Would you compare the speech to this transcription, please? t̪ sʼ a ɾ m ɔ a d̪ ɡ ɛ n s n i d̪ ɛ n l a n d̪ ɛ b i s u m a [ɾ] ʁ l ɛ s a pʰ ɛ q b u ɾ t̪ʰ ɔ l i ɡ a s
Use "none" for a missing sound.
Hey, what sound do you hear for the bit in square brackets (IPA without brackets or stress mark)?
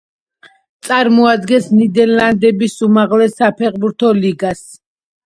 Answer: none